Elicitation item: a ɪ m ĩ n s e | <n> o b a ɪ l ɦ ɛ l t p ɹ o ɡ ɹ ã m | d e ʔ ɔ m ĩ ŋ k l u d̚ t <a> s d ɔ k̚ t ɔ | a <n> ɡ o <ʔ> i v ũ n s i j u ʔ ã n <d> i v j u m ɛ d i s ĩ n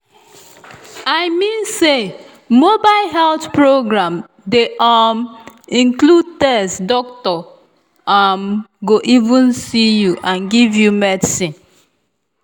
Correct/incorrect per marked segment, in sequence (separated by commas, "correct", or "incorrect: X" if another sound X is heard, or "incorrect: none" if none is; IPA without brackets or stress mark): incorrect: m, incorrect: ɛ, incorrect: m, correct, incorrect: ɡ